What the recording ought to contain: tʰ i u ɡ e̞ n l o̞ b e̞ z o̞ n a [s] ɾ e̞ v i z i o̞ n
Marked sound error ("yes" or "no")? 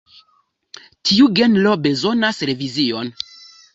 no